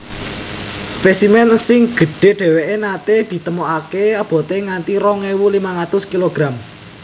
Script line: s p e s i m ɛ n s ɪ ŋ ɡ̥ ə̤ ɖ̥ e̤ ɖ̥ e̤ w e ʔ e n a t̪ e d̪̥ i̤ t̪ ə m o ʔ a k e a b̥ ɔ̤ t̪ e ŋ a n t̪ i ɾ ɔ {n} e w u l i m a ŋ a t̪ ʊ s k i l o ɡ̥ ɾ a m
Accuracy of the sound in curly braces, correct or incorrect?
incorrect